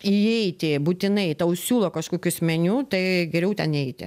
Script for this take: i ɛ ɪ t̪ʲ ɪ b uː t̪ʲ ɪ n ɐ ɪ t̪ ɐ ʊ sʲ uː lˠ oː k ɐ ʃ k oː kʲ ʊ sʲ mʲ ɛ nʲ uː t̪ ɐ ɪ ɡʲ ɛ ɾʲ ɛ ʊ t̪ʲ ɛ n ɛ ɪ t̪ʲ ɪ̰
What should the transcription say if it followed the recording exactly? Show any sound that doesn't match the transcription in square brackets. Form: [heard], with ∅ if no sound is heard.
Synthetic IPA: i ɛ ɪ t̪ʲ ɪ b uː t̪ʲ ɪ n ɐ ɪ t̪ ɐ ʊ sʲ uː lˠ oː k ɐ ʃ k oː kʲ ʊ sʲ mʲ ɛ nʲ uː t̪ ɐ ɪ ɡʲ ɛ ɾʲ ɛ ʊ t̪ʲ ɛ n ɛ ɪ t̪ʲ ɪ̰